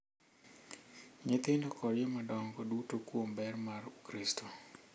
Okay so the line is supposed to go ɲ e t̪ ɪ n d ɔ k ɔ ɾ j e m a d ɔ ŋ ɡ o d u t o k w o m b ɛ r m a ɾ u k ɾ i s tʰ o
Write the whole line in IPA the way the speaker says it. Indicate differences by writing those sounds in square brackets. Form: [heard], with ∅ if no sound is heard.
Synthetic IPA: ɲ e t̪ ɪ n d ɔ k ɔ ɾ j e m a d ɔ ŋ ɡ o d u t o k w o m b ɛ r m a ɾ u k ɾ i s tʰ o